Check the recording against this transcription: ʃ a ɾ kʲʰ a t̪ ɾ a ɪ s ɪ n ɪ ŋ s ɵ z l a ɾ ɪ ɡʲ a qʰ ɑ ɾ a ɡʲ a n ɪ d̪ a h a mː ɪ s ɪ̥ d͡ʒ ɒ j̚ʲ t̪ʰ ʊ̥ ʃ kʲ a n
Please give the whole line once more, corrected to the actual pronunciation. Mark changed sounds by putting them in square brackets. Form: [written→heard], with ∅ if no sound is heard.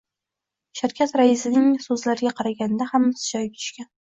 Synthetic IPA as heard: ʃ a ɾ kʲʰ a t̪ ɾ a ɪ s ɪ n ɪ ŋ s ɵ z l a ɾ ɪ ɡʲ a qʰ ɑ ɾ a ɡʲ a n ɪ d̪ a h a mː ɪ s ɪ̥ d͡ʒ ɒ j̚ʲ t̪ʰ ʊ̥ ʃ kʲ a n